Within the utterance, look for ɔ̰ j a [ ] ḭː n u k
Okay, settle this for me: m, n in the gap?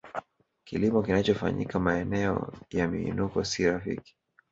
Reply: m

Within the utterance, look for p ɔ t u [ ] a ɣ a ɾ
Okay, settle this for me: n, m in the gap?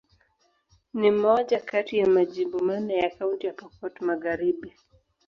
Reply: m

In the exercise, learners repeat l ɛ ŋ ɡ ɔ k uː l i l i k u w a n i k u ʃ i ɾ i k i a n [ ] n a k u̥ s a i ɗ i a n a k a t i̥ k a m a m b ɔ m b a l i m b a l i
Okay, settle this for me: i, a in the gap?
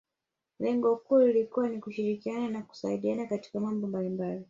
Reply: a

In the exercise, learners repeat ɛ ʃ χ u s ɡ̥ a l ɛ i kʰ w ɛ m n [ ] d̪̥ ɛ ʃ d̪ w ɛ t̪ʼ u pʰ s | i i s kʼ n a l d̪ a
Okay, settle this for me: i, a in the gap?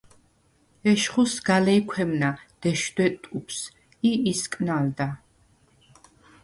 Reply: a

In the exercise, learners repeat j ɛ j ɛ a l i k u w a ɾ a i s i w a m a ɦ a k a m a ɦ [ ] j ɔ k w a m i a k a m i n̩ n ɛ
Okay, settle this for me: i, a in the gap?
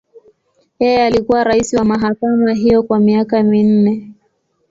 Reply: i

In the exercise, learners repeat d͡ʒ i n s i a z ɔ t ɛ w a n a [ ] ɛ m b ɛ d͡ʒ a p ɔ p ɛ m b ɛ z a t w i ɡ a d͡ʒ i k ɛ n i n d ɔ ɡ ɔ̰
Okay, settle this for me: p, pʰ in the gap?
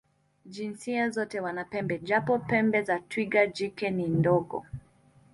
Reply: p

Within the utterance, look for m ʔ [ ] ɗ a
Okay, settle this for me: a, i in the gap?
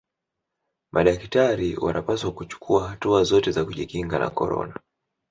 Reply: a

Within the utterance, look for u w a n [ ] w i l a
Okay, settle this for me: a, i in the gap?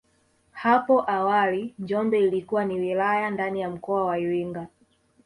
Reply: i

